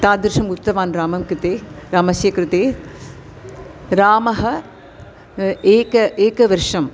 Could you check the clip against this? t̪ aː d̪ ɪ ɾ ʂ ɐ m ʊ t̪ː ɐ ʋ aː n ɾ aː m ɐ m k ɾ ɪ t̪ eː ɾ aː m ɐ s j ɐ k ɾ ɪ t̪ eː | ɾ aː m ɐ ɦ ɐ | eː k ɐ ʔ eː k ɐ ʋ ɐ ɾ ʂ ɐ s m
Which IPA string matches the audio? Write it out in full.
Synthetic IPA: t̪ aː d̪ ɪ ɾ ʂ ɐ m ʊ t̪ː ɐ ʋ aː n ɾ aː m ɐ m k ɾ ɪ t̪ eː ɾ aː m ɐ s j ɐ k ɾ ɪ t̪ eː | ɾ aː m ɐ ɦ ɐ | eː k ɐ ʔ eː k ɐ ʋ ɐ ɾ ʂ ɐ m